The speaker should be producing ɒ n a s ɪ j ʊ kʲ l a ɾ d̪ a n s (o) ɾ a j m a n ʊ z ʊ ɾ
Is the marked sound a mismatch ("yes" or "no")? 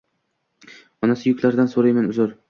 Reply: no